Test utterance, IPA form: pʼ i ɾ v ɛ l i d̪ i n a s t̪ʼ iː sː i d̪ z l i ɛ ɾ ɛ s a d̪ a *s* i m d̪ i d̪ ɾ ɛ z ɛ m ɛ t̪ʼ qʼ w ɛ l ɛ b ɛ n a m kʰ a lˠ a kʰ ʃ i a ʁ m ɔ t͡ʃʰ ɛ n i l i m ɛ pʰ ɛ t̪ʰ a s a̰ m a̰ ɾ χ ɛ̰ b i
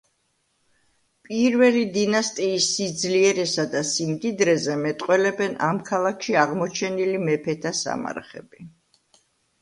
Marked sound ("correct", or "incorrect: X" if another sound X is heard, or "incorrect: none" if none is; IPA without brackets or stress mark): correct